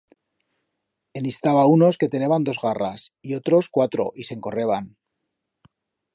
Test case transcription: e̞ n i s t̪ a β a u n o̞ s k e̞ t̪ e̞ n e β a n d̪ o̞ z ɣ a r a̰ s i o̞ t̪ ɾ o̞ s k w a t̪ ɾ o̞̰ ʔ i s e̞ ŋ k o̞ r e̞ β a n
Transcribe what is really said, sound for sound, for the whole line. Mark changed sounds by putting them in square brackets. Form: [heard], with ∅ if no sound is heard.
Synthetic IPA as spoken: e̞ n i s t̪ a β a u n o̞ s k e̞ t̪ e̞ n e β a n d̪ o̞ z ɣ a r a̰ s i o̞ t̪ ɾ o̞ s k w a t̪ ɾ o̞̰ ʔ i s e̞ ŋ k o̞ r e̞ β a n